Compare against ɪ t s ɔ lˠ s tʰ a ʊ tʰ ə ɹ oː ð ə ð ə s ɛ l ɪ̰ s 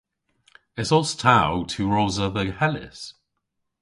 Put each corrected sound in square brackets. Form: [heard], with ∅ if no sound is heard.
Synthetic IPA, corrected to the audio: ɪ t s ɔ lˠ s tʰ a ʊ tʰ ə ɹ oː [z] ə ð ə [h] ɛ l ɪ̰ s

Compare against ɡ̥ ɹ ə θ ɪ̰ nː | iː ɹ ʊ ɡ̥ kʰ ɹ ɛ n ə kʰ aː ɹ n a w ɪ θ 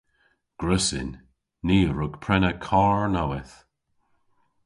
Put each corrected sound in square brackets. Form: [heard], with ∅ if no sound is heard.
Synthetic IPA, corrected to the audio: ɡ̥ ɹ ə [s] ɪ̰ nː | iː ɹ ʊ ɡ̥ [pʰ] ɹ ɛ n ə kʰ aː ɹ n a w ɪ θ

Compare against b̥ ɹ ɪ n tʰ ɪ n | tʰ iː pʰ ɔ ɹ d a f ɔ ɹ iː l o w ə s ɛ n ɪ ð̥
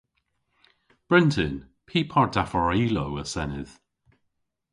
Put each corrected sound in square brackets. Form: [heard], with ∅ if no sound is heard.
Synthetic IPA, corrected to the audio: b̥ ɹ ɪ n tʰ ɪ n | [pʰ] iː pʰ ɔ ɹ d a f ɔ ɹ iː l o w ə s ɛ n ɪ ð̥

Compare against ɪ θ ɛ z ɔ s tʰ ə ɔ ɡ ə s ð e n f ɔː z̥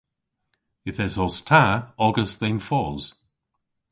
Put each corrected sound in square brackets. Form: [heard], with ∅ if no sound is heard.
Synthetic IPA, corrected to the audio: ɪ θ ɛ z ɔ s tʰ [a] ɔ ɡ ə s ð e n f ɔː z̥

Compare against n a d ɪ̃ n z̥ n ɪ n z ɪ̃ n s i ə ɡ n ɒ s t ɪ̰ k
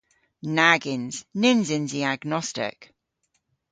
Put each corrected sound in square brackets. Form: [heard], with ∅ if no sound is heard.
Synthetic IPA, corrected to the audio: n a [ɡ] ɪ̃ n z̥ n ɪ n z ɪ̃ n [z] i [a] ɡ n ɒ s t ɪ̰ k

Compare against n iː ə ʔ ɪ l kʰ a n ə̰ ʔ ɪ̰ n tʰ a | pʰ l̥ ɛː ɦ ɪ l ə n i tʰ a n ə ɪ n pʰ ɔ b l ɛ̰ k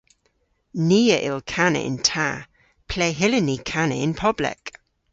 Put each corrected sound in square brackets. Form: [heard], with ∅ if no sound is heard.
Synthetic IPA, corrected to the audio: n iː ə ʔ ɪ l kʰ a n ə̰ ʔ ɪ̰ n tʰ a | pʰ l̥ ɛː ɦ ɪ l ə n i [kʰ] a n ə ɪ n pʰ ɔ b l ɛ̰ k

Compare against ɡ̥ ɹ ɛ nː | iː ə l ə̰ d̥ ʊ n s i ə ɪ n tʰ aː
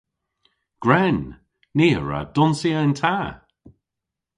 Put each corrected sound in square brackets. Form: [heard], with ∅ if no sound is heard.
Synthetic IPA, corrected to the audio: ɡ̥ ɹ ɛ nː | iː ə [ɹ] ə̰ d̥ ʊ n s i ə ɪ n tʰ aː

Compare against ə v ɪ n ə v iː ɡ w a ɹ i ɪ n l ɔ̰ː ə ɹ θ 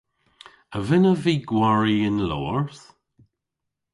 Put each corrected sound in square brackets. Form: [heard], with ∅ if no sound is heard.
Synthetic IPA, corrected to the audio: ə v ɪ n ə v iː ɡ w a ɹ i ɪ n l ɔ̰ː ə ɹ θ

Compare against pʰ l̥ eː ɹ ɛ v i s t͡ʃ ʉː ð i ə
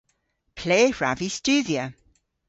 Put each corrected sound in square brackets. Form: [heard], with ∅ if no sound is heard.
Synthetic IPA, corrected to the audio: pʰ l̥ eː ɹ [a] v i s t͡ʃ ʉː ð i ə

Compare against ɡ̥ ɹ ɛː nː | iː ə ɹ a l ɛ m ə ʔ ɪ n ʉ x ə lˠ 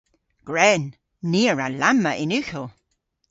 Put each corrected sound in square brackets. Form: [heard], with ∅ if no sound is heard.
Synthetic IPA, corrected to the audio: ɡ̥ ɹ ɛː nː | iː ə ɹ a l [a] m ə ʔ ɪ n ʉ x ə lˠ

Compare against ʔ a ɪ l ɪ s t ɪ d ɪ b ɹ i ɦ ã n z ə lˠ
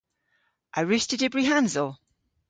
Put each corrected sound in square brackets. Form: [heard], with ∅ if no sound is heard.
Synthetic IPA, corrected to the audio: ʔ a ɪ [ɹ] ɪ s t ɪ d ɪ b ɹ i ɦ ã n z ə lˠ

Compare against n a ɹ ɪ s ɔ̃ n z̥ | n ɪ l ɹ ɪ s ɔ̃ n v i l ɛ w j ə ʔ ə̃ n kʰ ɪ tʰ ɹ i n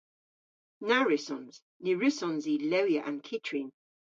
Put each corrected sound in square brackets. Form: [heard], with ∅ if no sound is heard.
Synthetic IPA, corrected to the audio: n a ɹ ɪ s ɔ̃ n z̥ | n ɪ [∅] ɹ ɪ s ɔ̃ n [z] i l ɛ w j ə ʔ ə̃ n kʰ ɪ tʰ ɹ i n

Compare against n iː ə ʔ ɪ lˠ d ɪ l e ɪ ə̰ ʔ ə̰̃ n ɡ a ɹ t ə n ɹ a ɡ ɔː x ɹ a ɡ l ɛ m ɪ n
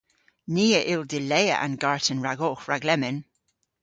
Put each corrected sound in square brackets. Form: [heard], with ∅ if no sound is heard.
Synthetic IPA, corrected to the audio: n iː ə ʔ ɪ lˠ d ɪ l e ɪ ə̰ ʔ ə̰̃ n ɡ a ɹ t ə n ɹ a ɡ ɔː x ɹ a ɡ l ɛ m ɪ n

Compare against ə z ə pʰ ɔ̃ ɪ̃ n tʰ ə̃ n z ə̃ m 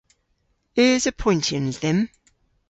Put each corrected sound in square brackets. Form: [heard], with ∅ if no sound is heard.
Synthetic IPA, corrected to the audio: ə z ə pʰ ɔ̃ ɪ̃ n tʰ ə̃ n [ð] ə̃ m

